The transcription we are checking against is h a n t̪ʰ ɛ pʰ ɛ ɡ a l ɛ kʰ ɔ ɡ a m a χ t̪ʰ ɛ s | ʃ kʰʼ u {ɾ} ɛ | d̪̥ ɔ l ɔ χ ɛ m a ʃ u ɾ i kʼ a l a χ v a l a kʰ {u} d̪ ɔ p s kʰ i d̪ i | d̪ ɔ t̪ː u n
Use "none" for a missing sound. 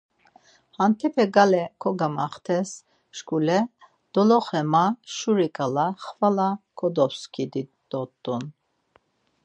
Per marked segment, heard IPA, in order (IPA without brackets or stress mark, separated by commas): l, ɔ